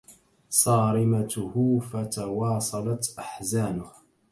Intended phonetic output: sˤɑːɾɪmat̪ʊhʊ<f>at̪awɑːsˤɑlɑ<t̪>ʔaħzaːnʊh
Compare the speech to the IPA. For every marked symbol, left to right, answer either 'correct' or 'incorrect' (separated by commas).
correct, correct